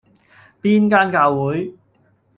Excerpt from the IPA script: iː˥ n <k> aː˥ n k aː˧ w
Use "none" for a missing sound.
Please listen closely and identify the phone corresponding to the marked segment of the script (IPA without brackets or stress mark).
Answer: k